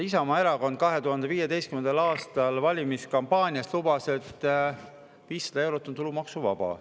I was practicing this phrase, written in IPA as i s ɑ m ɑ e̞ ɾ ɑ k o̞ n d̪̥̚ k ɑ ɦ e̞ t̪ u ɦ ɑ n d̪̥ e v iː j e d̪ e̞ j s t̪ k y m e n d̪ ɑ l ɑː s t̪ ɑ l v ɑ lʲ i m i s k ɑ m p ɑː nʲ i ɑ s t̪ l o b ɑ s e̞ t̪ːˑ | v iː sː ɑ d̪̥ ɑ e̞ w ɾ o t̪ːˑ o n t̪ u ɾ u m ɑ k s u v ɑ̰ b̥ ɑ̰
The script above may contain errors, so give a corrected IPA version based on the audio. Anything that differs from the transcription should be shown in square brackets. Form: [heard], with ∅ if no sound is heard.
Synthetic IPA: i s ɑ m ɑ e̞ ɾ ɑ k o̞ n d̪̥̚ k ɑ ɦ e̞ t̪ u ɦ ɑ n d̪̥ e v iː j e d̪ e̞ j s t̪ k y m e n d̪ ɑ l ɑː s t̪ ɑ l v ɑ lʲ i m i s k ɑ m p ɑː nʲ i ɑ s t̪ l [u] b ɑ s e̞ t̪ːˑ | v iː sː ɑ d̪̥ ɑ e̞ w ɾ o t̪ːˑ o n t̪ u [l] u m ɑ k s u v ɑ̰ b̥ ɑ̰